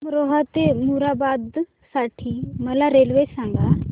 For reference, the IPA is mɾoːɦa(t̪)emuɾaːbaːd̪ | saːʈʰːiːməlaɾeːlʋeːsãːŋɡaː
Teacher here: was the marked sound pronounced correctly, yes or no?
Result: yes